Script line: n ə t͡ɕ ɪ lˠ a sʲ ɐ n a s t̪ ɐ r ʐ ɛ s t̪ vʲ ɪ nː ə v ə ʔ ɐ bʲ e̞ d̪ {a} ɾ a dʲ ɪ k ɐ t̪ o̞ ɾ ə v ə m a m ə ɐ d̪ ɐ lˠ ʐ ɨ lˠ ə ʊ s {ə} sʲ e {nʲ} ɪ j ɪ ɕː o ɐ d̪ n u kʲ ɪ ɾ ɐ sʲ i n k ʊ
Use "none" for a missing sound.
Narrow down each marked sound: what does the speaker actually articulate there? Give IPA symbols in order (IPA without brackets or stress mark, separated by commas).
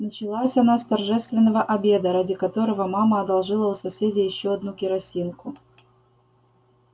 ə, ɐ, dʲ